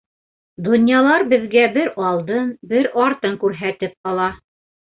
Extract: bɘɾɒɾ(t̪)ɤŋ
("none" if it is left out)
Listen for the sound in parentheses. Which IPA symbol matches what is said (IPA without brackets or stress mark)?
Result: t̪